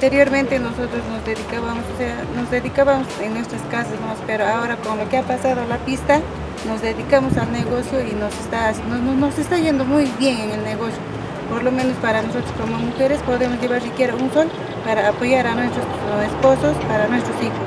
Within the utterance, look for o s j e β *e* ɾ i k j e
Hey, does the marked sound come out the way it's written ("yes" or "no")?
no